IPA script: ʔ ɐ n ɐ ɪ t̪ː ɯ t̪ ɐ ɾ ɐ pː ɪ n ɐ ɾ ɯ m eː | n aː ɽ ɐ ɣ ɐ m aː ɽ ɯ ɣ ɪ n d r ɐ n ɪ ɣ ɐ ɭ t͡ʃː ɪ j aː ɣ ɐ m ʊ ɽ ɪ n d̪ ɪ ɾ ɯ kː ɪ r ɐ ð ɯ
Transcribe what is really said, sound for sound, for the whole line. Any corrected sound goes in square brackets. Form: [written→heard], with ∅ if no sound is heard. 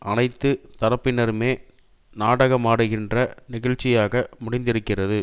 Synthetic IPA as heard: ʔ ɐ n ɐ ɪ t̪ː ɯ t̪ ɐ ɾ ɐ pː ɪ n ɐ ɾ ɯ m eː | n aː ɽ ɐ ɣ ɐ m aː ɽ ɯ ɣ ɪ n d r ɐ n ɪ ɣ ɐ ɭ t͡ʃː ɪ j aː ɣ ɐ m ʊ ɽ ɪ n d̪ ɪ ɾ ɯ kː ɪ r ɐ ð ɯ